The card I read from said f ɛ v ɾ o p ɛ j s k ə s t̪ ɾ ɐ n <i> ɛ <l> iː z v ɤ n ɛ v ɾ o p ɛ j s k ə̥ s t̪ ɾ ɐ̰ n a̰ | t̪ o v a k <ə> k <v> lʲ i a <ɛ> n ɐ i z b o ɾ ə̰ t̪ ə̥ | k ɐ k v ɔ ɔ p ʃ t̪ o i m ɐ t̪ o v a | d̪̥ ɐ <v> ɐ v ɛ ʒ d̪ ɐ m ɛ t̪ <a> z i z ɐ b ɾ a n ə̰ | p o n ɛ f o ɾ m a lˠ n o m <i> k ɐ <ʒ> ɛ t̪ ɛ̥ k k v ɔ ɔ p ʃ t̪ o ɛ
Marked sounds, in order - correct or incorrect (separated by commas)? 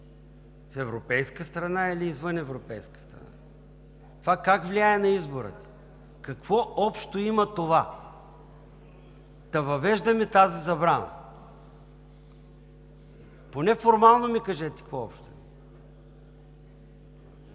incorrect, correct, incorrect, correct, correct, correct, correct, correct, correct